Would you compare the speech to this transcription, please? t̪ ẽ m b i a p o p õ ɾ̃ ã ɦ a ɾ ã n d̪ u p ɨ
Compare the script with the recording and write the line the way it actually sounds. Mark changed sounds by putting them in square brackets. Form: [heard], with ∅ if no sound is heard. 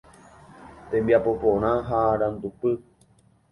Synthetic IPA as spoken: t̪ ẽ m b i a p o p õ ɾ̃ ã ɦ a ɾ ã n d̪ u p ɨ